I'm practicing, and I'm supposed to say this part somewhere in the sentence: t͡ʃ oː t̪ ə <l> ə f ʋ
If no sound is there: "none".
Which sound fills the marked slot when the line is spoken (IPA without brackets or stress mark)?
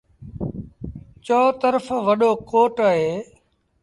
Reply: ɾ